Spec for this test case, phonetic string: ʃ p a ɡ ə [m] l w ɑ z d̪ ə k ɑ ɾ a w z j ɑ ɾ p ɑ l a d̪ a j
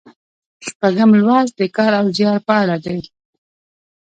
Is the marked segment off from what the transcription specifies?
no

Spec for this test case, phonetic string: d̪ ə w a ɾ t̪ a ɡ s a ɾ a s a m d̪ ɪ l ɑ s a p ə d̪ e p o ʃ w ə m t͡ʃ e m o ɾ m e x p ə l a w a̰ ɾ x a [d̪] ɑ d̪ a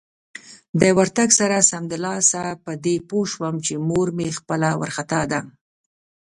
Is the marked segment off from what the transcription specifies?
yes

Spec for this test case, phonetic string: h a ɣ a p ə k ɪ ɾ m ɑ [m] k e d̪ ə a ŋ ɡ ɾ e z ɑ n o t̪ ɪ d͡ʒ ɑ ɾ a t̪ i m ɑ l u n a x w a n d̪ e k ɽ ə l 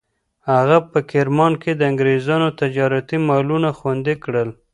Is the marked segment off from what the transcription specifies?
yes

